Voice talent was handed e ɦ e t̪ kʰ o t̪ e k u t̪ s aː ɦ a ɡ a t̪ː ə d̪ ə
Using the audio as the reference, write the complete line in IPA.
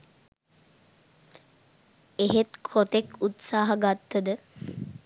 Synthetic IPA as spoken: e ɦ e t̪ kʰ o t̪ e k u t̪ s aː ɦ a ɡ a t̪ː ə d̪ ə